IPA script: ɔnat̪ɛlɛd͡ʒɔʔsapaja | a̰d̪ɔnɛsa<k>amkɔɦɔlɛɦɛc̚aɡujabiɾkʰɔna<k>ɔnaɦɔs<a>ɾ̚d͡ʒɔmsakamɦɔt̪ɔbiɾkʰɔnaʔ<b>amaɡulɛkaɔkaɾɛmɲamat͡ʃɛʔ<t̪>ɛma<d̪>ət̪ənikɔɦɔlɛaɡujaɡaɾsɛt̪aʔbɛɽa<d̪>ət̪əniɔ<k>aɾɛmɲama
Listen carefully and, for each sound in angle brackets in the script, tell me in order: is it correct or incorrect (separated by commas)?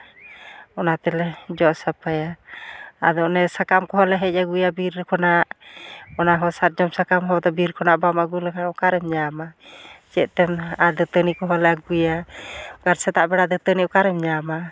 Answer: correct, incorrect, correct, correct, correct, correct, correct, correct